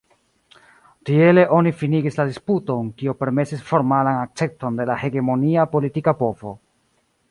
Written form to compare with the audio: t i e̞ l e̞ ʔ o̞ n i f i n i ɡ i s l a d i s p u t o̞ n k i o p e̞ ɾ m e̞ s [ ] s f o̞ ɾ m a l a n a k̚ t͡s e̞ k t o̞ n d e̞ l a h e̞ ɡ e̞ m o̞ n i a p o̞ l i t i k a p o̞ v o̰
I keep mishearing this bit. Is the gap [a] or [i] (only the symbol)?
i